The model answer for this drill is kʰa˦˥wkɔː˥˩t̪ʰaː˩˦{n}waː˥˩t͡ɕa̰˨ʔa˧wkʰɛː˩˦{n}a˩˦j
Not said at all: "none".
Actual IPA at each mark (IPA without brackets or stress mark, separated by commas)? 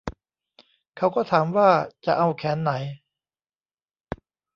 m, nː